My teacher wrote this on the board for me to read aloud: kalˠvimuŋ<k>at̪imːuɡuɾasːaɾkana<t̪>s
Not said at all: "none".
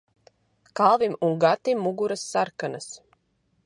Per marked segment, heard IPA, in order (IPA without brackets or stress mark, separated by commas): ɡ, none